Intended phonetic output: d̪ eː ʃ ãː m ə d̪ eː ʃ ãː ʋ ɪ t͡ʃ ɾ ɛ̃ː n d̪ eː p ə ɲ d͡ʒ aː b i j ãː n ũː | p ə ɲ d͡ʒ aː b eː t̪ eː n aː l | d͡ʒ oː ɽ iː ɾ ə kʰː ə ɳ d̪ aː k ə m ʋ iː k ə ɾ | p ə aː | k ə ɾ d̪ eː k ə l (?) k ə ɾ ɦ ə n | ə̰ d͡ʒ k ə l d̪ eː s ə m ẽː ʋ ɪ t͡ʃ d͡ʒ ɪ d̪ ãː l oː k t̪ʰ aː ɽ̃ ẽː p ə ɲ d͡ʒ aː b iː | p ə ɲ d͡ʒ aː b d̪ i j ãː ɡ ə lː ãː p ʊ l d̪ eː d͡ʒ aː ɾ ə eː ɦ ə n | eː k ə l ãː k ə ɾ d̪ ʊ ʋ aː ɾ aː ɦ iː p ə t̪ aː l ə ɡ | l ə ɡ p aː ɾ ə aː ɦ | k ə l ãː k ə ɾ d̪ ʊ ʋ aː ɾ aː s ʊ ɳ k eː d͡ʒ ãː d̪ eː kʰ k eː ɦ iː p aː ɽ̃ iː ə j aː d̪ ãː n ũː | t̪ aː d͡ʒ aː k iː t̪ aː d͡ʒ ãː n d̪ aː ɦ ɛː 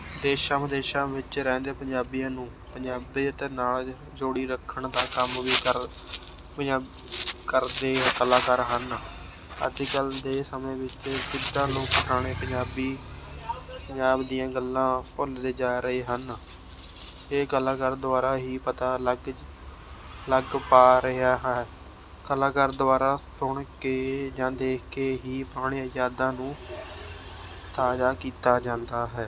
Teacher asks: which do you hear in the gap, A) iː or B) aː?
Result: B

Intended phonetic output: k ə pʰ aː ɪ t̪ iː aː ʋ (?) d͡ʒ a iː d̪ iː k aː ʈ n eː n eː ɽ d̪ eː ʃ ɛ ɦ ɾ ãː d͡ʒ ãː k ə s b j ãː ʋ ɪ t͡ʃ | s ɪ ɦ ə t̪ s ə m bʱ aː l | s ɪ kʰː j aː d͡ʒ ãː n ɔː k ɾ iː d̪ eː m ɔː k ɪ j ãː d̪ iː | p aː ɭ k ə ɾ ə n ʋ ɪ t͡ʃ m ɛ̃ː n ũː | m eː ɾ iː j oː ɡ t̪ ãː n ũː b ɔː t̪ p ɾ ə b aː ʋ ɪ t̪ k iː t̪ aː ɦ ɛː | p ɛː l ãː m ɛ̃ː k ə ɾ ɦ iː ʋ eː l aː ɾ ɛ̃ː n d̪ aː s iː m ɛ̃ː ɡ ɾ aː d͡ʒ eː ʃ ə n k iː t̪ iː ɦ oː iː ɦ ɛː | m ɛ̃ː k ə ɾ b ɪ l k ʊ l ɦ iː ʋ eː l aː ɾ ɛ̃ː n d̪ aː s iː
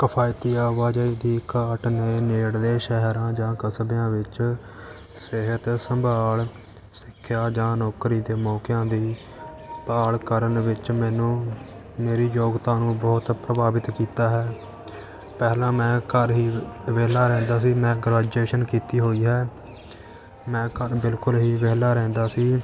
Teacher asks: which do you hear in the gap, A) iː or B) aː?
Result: B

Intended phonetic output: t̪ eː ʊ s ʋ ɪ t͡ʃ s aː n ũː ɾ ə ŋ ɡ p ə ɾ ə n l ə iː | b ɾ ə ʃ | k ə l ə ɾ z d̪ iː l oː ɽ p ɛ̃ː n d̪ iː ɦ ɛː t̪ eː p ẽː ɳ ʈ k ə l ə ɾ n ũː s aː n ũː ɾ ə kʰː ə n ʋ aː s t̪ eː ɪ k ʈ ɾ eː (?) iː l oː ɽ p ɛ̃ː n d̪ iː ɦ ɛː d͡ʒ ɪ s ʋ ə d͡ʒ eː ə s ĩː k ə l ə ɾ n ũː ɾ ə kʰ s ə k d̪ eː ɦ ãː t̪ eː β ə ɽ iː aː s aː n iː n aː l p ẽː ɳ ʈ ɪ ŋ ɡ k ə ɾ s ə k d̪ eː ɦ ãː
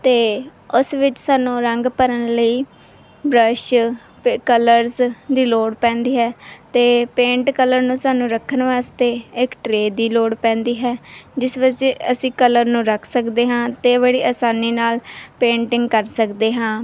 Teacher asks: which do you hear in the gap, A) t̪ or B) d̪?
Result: B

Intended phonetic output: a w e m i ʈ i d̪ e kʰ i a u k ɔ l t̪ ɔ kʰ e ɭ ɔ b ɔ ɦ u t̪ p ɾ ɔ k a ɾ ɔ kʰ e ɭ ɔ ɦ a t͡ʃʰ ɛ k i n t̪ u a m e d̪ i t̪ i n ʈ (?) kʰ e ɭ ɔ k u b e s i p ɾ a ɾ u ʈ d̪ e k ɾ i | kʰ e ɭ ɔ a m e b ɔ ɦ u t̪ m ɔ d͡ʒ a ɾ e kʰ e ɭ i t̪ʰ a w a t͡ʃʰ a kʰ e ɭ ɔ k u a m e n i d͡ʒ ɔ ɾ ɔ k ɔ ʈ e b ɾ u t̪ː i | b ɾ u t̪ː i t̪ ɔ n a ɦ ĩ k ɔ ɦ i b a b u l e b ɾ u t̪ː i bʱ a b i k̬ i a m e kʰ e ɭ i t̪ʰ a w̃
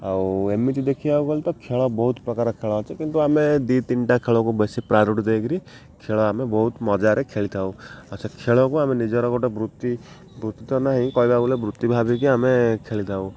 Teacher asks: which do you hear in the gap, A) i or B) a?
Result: B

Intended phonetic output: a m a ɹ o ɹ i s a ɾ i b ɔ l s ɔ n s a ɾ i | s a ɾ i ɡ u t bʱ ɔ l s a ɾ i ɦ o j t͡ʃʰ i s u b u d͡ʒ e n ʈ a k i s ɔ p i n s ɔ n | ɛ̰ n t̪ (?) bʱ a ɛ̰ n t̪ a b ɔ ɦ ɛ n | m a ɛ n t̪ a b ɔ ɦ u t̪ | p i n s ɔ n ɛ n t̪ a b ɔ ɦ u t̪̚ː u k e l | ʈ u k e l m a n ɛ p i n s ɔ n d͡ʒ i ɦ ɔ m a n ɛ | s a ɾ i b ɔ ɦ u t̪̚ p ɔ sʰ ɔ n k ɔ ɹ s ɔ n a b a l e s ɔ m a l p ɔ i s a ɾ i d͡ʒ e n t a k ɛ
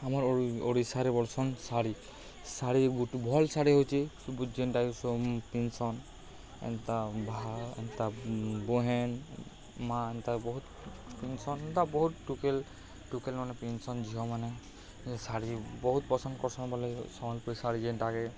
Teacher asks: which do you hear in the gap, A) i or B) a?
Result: B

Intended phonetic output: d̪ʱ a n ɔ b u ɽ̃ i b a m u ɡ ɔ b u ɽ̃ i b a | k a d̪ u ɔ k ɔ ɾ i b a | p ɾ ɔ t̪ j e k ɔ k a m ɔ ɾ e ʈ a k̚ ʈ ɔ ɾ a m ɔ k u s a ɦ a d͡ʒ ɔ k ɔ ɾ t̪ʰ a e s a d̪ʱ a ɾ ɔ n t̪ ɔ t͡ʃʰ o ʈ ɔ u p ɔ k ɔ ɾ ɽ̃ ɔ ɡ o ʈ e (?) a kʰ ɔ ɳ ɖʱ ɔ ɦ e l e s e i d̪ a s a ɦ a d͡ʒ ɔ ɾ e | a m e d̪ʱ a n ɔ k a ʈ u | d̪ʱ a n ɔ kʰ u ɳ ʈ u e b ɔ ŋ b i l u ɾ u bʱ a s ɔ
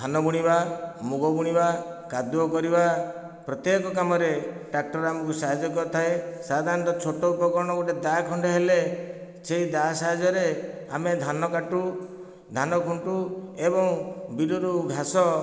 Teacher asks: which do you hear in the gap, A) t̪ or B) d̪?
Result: B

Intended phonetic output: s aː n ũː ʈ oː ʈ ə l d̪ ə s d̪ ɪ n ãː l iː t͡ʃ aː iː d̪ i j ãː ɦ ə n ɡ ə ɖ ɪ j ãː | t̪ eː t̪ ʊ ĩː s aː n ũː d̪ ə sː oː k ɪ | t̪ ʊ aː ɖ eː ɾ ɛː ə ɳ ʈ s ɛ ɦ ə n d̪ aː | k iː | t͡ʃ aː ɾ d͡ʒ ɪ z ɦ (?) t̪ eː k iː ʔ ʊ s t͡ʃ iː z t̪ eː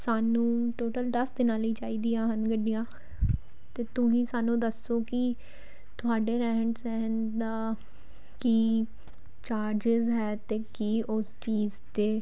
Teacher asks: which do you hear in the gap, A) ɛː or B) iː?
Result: A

